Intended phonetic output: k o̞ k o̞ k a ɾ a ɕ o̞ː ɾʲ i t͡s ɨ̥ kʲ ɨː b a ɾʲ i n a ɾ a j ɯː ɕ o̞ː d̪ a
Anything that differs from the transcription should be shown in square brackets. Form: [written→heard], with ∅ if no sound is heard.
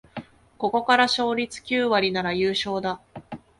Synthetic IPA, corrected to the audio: k o̞ k o̞ k a ɾ a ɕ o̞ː ɾʲ i t͡s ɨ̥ kʲ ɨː [b→β] a ɾʲ i n a ɾ a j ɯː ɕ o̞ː d̪ a